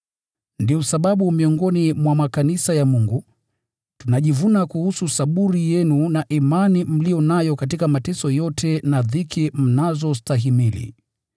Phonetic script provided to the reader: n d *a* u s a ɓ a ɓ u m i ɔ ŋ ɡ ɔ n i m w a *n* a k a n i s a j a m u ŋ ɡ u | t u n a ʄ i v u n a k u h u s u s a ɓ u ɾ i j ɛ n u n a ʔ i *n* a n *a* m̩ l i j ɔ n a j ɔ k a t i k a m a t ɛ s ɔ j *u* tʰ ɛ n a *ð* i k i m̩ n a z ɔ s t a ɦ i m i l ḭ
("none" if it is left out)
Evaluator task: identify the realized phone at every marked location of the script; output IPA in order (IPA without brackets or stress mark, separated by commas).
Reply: i, m, m, i, ɔ, ð